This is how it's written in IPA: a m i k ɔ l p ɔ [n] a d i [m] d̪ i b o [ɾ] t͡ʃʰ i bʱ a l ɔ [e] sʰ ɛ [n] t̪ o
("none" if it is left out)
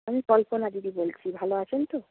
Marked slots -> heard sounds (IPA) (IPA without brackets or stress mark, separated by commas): n, none, l, a, n